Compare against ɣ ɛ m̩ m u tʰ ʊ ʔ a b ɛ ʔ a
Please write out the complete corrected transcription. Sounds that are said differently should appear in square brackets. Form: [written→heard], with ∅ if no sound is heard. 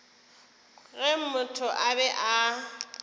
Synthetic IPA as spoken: ɣ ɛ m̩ m [u→ʊ] tʰ ʊ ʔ a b ɛ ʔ a